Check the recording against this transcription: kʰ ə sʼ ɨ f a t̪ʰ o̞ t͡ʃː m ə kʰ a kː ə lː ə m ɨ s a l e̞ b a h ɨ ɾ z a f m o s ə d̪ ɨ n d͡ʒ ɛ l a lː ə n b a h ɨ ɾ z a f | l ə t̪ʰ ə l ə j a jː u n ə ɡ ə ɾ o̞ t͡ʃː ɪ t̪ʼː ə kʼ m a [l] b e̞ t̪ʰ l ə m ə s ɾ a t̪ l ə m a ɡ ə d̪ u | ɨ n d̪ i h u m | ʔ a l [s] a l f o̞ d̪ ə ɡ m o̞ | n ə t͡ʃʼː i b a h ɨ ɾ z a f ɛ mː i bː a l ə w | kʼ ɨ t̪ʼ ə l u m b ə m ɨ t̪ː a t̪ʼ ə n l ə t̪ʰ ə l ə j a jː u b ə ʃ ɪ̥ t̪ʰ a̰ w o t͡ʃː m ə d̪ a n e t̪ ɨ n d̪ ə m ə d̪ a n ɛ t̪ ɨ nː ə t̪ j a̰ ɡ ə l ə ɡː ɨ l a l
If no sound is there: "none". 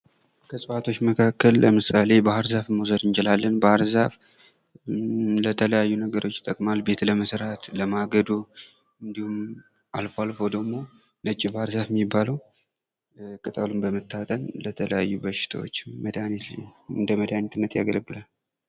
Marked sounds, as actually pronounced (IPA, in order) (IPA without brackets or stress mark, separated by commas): l, f